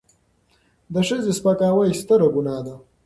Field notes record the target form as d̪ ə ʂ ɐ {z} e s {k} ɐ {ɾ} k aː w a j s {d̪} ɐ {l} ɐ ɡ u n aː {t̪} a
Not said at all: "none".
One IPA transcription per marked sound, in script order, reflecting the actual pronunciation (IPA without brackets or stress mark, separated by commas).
z, p, none, t̪, ɾ, d̪